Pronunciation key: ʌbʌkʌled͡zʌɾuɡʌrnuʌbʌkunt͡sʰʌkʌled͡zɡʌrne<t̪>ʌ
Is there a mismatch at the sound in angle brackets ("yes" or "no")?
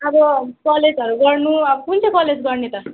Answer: no